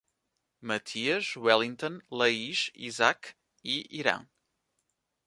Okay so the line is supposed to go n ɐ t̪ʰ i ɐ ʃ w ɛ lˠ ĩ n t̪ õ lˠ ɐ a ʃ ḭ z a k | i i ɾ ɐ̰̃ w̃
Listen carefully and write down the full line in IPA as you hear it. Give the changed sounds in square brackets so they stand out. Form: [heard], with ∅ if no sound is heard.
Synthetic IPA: [m] ɐ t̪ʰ i ɐ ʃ w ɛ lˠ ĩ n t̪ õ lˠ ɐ [i] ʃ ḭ z a k | i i ɾ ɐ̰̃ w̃